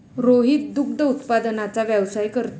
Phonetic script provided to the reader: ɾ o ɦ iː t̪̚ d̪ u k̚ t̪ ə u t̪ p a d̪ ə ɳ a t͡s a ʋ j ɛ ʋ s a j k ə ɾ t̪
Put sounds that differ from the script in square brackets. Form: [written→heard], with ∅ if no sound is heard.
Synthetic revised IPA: ɾ o ɦ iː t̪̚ d̪ u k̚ [t̪→d̪] ə u t̪ p a d̪ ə [ɳ→n] a t͡s a ʋ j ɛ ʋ s a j k ə ɾ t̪